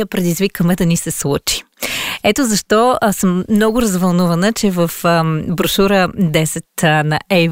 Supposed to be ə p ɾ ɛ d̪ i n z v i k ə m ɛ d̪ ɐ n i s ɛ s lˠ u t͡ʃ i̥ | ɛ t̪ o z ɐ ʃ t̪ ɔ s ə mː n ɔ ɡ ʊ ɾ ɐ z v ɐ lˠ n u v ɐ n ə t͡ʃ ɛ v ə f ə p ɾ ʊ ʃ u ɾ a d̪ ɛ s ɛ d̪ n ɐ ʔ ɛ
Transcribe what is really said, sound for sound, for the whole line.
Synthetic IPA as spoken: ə p ɾ ɛ d̪ i z v i k ə m ɛ d̪ ɐ n i s ɛ s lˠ u t͡ʃ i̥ | ɛ t̪ o z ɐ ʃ t̪ ɔ s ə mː n ɔ ɡ ʊ ɾ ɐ z v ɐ lˠ n u v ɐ n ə t͡ʃ ɛ v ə f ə b ɾ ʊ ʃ u ɾ ə d̪ ɛ s ɛ t̪ n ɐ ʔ ɛ